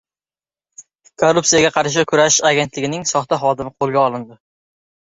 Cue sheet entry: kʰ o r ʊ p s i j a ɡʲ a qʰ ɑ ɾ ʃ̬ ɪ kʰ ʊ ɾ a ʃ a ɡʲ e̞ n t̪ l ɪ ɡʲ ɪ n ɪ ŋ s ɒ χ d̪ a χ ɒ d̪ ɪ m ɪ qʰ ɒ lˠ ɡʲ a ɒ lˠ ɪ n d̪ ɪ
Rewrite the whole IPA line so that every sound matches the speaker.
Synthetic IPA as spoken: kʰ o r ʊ p s i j a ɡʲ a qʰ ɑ ɾ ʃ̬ ɪ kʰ ʊ ɾ a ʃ a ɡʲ e̞ n t̪ l ɪ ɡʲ ɪ n ɪ ŋ s ɒ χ t̪ a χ ɒ d̪ ɪ m ɪ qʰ o lˠ ɡʲ a ɒ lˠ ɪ n d̪ ɪ

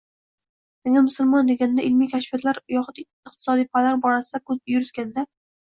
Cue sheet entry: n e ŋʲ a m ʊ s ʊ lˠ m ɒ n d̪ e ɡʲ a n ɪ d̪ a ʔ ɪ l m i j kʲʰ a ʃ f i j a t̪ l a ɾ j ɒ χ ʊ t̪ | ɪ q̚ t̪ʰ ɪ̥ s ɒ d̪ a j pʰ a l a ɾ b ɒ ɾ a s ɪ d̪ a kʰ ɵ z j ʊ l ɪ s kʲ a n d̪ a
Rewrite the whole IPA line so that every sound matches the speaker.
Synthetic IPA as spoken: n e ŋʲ a m ʊ s ʊ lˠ m ɒ n d̪ e ɡʲ a n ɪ d̪ a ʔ ɪ l m i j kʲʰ a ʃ f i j a t̪ l a ɾ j ɒ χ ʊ t̪ | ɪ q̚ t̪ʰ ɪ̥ s ɒ d̪ i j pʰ a l a ɾ b ɒ ɾ a s ɪ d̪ a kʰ ɵ z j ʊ ɾ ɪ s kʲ a n d̪ a

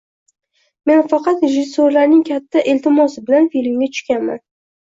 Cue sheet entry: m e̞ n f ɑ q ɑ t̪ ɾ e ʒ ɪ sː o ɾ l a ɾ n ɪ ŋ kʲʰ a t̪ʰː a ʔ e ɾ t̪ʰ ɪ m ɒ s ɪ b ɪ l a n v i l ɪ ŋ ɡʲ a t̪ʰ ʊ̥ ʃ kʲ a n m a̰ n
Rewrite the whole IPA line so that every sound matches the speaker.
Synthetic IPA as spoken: m e̞ n f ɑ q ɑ t̪ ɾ e ʒ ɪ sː o ɾ l a ɾ n ɪ ŋ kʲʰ a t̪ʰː a ʔ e l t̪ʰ ɪ m ɒ s ɪ b ɪ l a n f i l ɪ m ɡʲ a t̪ʰ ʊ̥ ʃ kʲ a n m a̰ n

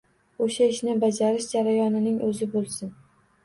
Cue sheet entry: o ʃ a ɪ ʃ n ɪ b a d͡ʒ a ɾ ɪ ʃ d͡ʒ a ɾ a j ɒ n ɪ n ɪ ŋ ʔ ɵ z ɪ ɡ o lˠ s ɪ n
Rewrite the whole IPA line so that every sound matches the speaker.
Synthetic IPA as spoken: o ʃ a ɪ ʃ n ɪ b a d͡ʒ a ɾ ɪ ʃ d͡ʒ a ɾ a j ɒ n ɪ n ɪ ŋ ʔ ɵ z ɪ b o lˠ s ɪ n

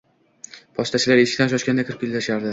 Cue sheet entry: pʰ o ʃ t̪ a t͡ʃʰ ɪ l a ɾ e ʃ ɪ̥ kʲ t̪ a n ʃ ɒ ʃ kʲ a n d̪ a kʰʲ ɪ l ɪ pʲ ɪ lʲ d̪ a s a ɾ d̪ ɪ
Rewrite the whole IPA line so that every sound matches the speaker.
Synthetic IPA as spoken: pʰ ɒ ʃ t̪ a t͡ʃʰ ɪ l a ɾ e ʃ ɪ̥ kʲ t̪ a n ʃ ɒ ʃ kʲ a n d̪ a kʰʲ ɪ ɾ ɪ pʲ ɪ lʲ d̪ a ʃ a ɾ d̪ ɪ

